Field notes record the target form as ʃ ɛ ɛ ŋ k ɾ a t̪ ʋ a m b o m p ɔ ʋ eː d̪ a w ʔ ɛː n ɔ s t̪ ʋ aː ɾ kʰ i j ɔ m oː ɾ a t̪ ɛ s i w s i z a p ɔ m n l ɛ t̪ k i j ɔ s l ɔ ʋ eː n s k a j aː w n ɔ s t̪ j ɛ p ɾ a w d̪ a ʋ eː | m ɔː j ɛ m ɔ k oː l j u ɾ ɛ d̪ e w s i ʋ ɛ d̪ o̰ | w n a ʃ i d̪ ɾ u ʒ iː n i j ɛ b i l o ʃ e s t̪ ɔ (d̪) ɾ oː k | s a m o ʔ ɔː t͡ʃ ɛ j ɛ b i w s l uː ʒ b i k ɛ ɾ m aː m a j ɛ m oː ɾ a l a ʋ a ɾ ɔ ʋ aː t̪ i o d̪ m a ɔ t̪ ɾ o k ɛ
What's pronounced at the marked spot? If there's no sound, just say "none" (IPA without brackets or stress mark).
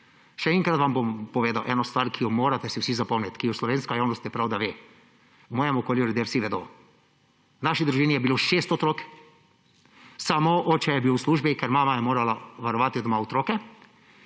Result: t̪